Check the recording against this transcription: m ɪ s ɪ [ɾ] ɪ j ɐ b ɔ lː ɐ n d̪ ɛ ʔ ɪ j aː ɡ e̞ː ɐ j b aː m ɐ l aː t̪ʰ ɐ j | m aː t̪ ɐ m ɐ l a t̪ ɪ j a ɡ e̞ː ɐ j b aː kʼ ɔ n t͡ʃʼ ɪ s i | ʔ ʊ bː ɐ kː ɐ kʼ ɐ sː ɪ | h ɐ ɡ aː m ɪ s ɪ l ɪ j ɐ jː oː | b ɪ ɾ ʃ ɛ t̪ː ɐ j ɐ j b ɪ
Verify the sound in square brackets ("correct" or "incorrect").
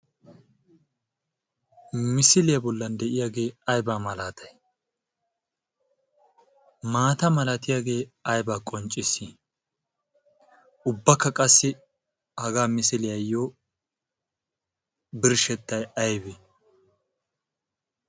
incorrect